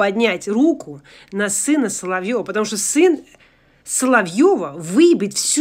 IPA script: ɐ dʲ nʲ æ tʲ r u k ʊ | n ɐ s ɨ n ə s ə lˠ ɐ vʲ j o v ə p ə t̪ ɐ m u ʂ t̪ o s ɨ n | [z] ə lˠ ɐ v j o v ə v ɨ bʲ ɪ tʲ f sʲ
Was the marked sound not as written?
yes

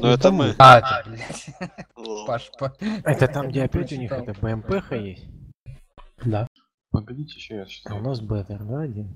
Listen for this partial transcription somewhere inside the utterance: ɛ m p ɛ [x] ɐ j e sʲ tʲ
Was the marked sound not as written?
no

